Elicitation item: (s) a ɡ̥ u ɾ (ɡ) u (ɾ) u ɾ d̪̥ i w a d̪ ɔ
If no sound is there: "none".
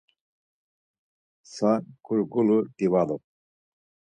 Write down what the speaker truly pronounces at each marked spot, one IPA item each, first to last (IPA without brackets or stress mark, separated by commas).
s, ɡ, l